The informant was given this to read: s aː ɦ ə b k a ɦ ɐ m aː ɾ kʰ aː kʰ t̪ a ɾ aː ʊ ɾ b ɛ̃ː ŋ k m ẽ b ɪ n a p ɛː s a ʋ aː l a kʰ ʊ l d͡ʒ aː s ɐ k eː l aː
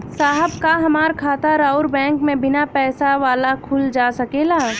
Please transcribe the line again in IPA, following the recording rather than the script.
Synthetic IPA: s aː ɦ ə b k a ɦ ɐ m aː ɾ kʰ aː t̪ a ɾ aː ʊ ɾ b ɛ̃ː ŋ k m ẽ b ɪ n a p ɛː s a ʋ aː l a kʰ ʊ l d͡ʒ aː s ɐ k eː l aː